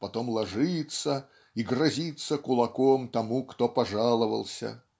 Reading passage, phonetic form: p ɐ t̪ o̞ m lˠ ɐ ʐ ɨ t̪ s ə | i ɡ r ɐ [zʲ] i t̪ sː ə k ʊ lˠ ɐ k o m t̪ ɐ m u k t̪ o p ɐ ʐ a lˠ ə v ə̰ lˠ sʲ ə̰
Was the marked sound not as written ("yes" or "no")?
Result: no